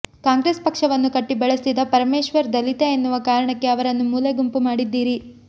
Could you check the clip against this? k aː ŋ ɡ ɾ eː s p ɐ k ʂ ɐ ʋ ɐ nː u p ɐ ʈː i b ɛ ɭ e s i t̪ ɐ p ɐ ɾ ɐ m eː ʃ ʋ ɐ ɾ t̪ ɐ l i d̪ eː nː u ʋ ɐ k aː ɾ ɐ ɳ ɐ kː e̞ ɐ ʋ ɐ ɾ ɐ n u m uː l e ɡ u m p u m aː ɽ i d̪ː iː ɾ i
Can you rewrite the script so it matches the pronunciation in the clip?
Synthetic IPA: k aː ŋ ɡ ɾ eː s p ɐ k ʂ ɐ ʋ ɐ nː u k ɐ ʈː i b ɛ ɭ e s i d̪ ɐ p ɐ ɾ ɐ m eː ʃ ʋ ɐ ɾ d̪ ɐ l i t̪ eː nː u ʋ ɐ k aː ɾ ɐ ɳ ɐ kː e̞ ɐ ʋ ɐ ɾ ɐ nː u m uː l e ɡ u m p u m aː ɽ i d̪ː iː ɾ i

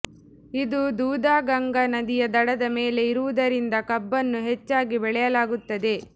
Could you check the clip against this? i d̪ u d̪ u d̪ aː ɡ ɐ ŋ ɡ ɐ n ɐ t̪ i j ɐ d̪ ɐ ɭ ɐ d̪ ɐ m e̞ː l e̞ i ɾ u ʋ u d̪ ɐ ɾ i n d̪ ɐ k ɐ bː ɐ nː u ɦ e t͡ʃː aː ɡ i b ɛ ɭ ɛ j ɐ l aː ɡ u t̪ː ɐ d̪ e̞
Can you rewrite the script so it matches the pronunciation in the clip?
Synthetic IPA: i d̪ u d̪ uː d̪ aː ɡ ɐ ŋ ɡ ɐ n ɐ d̪ i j ɐ d̪ ɐ ɽ ɐ d̪ ɐ m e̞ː l e̞ i ɾ u ʋ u d̪ ɐ ɾ i n d̪ ɐ k ɐ bː ɐ nː u ɦ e t͡ʃː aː ɡ i b ɛ ɭ ɛ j ɐ l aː ɡ u t̪ː ɐ d̪ e̞

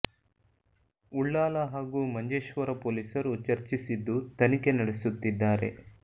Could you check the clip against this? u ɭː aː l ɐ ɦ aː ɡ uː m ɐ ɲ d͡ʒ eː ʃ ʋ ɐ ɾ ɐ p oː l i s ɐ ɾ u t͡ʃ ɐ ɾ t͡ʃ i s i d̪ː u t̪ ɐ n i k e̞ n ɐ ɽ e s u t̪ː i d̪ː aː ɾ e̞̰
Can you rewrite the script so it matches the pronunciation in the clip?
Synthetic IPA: u ɭː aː l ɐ ɦ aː ɡ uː m ɐ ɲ d͡ʒ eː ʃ ʋ ɐ ɾ ɐ p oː l i s ɐ ɾ u t͡ʃ ɐ ɾ t͡ʃ i s i d̪ː u t̪ ɐ n i k e̞ n ɐ ɽ e s u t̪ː i d̪ː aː ɾ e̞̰

